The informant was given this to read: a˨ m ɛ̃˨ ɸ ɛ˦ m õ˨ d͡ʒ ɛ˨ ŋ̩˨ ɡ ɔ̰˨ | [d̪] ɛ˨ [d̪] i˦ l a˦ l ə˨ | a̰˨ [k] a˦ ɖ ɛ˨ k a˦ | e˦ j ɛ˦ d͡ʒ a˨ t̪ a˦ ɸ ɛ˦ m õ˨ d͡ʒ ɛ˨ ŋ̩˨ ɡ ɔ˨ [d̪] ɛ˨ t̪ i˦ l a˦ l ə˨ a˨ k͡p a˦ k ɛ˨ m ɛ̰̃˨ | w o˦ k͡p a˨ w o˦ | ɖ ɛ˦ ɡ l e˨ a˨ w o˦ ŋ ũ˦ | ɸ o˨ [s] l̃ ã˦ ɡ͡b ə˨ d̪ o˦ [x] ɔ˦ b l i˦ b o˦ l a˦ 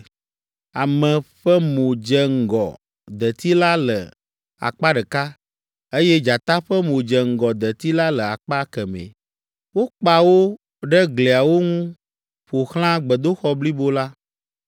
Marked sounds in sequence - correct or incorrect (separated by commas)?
correct, incorrect, incorrect, correct, incorrect, correct